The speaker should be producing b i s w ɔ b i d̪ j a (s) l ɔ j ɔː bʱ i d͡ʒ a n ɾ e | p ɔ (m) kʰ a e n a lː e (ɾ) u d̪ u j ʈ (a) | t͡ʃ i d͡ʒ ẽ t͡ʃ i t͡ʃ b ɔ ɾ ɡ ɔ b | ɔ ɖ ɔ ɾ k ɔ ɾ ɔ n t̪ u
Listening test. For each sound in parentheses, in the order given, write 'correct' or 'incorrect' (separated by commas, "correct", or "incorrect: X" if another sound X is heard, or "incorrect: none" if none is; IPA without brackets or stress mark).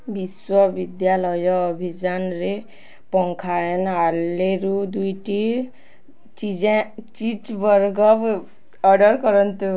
incorrect: none, incorrect: ŋ, correct, incorrect: i